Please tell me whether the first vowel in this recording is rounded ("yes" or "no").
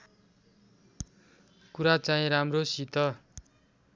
yes